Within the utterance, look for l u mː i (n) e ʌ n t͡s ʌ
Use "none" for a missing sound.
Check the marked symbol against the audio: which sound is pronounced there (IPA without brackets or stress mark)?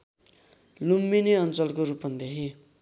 n